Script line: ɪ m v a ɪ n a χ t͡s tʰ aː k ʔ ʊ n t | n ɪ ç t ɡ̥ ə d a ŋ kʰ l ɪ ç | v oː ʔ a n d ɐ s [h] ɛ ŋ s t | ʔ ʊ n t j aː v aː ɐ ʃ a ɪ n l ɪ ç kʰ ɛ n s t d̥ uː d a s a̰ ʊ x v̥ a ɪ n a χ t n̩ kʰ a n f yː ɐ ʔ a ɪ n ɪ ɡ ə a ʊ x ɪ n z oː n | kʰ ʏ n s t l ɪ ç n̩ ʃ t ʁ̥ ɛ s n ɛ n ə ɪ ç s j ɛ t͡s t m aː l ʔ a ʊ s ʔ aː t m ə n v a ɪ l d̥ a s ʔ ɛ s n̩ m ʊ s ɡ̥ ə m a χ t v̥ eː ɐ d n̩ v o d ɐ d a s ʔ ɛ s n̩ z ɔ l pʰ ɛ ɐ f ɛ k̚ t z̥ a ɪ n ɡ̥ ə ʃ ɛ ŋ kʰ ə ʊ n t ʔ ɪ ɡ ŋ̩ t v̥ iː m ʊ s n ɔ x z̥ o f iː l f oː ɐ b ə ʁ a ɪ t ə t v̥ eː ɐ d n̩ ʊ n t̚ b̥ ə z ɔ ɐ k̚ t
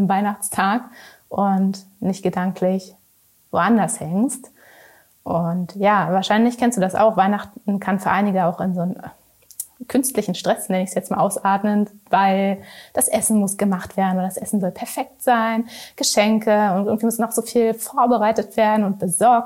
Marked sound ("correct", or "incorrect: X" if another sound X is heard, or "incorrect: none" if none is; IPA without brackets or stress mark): correct